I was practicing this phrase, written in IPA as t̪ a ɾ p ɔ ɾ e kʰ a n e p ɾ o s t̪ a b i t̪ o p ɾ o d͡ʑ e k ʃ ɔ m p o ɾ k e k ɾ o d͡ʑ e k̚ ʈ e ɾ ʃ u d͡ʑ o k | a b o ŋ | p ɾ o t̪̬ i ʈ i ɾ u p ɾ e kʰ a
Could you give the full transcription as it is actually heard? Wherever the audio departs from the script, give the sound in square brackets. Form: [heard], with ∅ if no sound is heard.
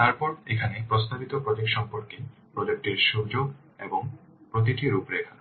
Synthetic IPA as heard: t̪ a ɾ p ɔ ɾ e kʰ a n e p ɾ o s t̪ a b i t̪ o p ɾ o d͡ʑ e k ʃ ɔ m p o ɾ k e [p] ɾ o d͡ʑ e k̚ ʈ e ɾ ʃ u d͡ʑ o [ɡ] | [e] b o ŋ | p ɾ o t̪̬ i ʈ i ɾ u p ɾ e kʰ a